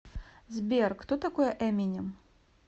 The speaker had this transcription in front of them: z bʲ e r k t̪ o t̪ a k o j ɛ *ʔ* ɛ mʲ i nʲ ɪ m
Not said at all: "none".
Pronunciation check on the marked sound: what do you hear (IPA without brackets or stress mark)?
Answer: ʔ